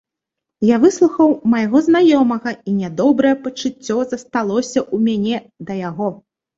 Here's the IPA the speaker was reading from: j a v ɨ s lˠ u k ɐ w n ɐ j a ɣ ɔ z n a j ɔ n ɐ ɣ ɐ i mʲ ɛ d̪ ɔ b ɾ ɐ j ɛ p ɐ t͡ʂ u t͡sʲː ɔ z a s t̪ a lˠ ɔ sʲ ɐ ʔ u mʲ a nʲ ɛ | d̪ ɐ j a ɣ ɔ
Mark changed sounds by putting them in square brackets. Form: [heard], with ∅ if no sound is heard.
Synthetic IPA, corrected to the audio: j a v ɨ s lˠ u [x] ɐ w [m] ɐ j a ɣ ɔ z n a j ɔ [m] ɐ ɣ ɐ i [nʲ] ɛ d̪ ɔ b ɾ ɐ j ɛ p ɐ t͡ʂ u t͡sʲː ɔ z [ɐ] s t̪ a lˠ ɔ sʲ ɐ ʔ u mʲ a nʲ ɛ | d̪ ɐ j a ɣ ɔ